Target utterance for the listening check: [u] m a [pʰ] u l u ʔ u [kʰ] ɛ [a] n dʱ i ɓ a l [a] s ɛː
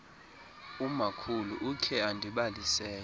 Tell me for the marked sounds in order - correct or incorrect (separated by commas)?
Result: correct, incorrect, correct, correct, incorrect